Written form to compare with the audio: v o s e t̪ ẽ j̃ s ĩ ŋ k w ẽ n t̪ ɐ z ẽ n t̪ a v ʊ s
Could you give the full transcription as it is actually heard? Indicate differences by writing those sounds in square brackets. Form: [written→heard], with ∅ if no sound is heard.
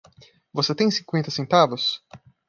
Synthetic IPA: v o s e t̪ ẽ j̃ s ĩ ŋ k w ẽ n t̪ ɐ [z→s] ẽ n t̪ a v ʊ s